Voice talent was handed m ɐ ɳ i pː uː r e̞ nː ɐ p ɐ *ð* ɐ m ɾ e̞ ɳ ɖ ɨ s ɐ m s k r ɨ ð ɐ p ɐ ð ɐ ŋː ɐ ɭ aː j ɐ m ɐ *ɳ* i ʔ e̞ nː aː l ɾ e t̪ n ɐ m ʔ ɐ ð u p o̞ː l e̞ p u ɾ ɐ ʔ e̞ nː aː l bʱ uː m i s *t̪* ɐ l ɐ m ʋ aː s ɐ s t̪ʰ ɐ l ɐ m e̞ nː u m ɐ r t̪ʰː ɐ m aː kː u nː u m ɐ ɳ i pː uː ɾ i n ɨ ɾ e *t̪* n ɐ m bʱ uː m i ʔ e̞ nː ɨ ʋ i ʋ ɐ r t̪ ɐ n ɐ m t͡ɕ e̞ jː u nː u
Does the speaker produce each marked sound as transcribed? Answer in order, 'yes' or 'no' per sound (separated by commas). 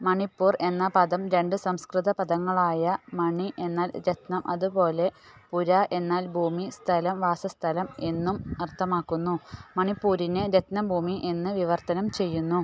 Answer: yes, yes, no, yes